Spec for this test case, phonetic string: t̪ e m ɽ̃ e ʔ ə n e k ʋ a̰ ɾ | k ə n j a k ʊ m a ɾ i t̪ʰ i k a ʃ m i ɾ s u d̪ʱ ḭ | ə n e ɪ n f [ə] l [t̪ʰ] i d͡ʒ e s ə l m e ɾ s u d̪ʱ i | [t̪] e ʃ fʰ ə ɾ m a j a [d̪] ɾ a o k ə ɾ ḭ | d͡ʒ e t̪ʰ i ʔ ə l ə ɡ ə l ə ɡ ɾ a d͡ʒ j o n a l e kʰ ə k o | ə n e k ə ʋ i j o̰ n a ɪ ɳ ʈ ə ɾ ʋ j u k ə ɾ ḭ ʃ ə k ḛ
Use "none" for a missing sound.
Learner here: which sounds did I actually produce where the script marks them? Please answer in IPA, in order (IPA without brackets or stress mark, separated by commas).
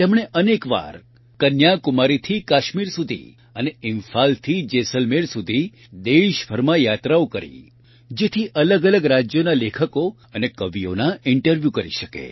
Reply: a, t̪ʰ, d̪, t̪